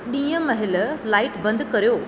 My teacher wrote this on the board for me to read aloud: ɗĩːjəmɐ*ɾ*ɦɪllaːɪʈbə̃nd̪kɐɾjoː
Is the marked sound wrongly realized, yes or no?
yes